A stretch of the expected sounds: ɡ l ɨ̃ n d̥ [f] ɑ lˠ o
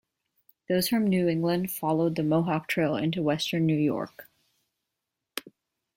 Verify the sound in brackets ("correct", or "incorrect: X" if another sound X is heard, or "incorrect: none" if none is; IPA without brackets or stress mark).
correct